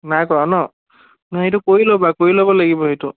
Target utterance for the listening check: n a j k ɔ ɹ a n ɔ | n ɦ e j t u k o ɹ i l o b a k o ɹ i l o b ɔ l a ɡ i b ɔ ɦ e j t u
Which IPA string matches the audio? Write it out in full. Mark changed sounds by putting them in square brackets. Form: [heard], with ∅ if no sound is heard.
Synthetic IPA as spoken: n a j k ɔ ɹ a n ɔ | n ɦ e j t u k o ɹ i l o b a k o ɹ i l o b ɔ l a ɡ i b ɔ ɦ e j t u